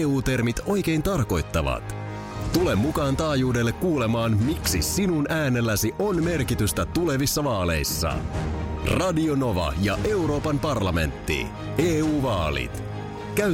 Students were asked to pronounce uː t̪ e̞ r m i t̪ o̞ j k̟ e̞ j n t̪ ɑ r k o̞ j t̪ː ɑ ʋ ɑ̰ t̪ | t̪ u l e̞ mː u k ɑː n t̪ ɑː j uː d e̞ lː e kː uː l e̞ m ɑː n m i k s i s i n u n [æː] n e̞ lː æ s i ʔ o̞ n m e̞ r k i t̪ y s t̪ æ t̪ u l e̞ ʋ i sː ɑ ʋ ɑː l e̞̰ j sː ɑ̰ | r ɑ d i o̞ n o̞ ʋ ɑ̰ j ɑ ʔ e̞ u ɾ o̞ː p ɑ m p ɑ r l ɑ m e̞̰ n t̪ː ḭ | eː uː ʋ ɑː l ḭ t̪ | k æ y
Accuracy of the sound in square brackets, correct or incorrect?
correct